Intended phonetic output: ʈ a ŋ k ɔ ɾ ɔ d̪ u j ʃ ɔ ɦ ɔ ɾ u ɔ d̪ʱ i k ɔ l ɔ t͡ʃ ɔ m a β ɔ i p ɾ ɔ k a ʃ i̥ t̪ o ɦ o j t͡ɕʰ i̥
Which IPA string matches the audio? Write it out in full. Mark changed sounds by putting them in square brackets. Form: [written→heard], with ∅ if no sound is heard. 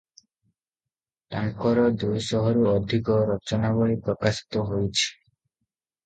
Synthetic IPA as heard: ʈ a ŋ k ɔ ɾ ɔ d̪ u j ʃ ɔ ɦ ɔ ɾ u ɔ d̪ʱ i k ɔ [l→ɾ] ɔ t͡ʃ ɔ [m→n] a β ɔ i p ɾ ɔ k a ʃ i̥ t̪ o ɦ o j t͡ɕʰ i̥